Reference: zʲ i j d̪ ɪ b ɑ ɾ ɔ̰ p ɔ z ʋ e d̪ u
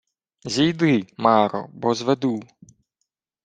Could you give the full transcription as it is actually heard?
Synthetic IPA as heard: zʲ i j d̪ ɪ m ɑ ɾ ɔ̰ b ɔ z ʋ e d̪ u